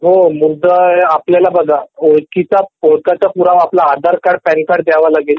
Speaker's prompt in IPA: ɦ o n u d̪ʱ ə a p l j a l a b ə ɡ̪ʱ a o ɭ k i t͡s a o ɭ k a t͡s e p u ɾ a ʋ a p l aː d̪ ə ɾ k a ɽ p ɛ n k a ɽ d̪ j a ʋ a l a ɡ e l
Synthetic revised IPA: ɦ o m u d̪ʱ ə a p l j a l a b ə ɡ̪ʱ a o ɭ k i t͡s a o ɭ k a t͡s a p u ɾ a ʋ a p l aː d̪ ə ɾ k a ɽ p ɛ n k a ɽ d̪ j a ʋ a l a ɡ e l